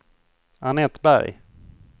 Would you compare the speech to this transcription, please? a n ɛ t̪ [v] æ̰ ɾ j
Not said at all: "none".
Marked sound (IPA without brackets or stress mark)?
b